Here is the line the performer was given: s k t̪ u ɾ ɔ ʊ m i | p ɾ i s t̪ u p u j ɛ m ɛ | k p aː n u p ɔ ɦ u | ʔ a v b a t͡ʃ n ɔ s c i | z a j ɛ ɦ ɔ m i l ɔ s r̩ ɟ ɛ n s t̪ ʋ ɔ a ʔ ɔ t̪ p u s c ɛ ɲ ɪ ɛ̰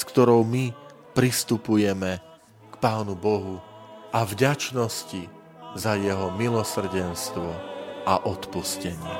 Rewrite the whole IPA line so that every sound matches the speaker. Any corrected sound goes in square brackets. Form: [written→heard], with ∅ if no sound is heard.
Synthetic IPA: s k t̪ [u→ɔ] ɾ ɔ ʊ m i | p ɾ i s t̪ u p u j ɛ m ɛ | k p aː n u [p→b] ɔ ɦ u | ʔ a v [b→ɟ] a t͡ʃ n ɔ s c i | z a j ɛ ɦ ɔ m i l ɔ s r̩ ɟ ɛ n s t̪ ʋ ɔ a ʔ ɔ t̪ p u s c ɛ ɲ ɪ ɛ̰